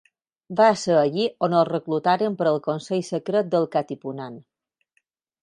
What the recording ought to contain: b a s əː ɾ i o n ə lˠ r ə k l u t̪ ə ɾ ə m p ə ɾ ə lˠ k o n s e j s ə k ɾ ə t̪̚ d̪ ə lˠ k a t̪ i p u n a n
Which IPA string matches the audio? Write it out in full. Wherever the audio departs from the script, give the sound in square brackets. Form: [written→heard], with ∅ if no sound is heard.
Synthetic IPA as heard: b a s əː [ɾ→ʎ] i o n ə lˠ r ə k l u t̪ [ə→a] ɾ ə m p ə ɾ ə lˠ k o n s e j s ə k ɾ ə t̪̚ d̪ ə lˠ k a t̪ i p u n a n